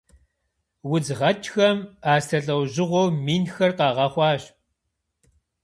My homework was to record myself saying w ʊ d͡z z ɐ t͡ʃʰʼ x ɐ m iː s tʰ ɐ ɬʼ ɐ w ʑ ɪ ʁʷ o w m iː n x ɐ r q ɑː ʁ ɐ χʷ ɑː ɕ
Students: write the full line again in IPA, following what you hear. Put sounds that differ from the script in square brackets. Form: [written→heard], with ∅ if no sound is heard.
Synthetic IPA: w ʊ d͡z [z→ʁ] ɐ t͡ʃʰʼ x ɐ m [iː→aː] s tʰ ɐ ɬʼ ɐ w ʑ ɪ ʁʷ o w m iː n x ɐ r q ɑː ʁ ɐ χʷ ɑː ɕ